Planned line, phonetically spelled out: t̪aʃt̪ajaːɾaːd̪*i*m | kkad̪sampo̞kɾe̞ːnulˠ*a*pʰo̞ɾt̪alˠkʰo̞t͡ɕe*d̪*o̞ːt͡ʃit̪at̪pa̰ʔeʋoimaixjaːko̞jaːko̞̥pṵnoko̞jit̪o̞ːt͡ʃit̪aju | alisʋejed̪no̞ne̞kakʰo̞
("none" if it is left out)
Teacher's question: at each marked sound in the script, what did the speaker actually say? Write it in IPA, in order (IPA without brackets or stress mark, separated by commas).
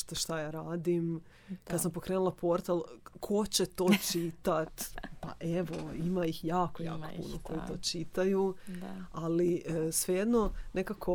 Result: i, a, t̪